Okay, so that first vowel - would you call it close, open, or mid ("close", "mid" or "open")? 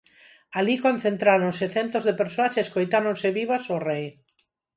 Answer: open